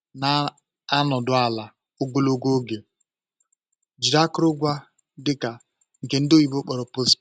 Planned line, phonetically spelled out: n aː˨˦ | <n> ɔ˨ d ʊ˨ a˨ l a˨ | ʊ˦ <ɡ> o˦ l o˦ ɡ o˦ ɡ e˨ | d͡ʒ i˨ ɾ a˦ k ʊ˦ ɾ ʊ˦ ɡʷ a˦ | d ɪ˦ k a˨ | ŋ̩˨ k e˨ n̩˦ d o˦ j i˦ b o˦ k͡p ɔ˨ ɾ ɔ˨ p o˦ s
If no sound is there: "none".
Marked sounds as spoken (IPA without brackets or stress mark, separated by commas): n, ɡ